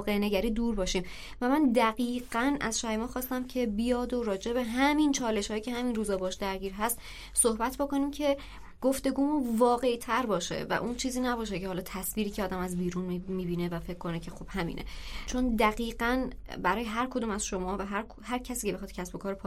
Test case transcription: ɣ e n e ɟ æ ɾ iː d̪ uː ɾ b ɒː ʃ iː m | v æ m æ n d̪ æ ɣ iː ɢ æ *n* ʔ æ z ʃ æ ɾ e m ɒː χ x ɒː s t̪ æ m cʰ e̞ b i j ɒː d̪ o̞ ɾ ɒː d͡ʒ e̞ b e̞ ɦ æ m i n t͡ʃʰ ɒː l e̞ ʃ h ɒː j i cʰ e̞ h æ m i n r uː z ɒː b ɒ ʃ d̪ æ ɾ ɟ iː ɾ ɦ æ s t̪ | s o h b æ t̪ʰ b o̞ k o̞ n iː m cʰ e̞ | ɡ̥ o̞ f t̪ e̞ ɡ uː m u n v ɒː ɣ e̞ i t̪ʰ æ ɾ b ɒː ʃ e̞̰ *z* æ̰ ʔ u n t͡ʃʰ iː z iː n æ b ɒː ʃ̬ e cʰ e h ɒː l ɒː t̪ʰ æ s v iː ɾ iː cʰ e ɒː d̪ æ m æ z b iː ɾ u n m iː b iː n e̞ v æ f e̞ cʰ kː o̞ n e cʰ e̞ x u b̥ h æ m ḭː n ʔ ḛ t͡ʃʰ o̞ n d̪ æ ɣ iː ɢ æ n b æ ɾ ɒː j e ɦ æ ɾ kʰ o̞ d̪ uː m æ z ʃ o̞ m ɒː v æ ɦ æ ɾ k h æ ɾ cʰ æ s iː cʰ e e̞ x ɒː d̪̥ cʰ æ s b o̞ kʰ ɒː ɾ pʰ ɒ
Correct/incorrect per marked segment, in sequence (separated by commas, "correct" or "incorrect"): correct, incorrect